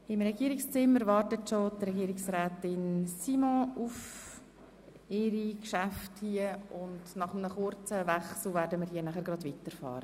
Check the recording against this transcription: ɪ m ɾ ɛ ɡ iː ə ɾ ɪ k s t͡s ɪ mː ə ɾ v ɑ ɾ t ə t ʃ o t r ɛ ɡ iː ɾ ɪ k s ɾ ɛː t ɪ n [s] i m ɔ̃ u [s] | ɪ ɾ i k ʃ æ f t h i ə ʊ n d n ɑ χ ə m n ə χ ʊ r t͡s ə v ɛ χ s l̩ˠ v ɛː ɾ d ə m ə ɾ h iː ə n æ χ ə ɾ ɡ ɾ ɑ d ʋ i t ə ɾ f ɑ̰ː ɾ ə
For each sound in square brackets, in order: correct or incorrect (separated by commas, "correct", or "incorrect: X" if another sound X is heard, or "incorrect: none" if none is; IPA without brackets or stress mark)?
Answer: correct, incorrect: f